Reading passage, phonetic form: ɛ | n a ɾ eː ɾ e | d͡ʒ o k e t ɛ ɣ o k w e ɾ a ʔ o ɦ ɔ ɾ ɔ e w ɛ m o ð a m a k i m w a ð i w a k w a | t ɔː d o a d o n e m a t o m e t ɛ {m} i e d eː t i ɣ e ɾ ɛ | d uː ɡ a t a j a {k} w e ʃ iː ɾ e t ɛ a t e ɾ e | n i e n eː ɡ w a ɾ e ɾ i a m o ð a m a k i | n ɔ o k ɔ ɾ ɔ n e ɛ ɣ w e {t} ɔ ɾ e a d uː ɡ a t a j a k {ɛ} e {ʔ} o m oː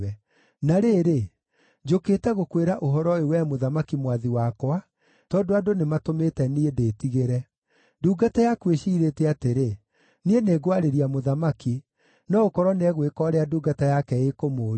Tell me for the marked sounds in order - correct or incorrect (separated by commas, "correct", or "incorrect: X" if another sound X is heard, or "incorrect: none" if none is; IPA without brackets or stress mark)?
incorrect: n, correct, incorrect: k, correct, incorrect: k